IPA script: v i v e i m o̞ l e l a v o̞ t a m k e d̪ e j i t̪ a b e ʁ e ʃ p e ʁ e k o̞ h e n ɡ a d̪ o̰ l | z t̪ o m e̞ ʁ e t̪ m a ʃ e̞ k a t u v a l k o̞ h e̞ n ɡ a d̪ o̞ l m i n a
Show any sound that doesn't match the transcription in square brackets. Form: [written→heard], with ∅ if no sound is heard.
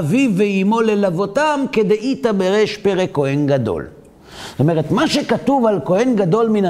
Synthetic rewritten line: v i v e i m o̞ l e l a v o̞ t a m k e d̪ e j i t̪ a b e ʁ e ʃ p e ʁ e k o̞ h e n ɡ a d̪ o̰ l | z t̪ o m e̞ ʁ e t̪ m a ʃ e̞ k a t u v a l k o̞ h e̞ n ɡ a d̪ o̞ l m i n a